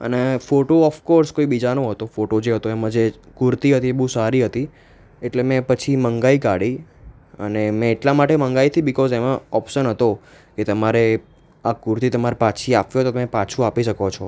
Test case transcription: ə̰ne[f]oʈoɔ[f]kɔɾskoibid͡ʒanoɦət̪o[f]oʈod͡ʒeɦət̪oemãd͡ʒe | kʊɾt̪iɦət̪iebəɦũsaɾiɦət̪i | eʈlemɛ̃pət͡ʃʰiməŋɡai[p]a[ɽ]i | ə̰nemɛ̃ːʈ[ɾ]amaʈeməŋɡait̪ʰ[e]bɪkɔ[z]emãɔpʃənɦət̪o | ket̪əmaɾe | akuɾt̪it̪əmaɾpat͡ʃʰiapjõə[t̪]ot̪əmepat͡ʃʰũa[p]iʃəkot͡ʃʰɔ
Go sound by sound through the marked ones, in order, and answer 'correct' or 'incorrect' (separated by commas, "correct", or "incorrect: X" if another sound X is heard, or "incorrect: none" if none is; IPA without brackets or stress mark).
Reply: correct, correct, correct, incorrect: k, correct, incorrect: l, incorrect: i, correct, correct, correct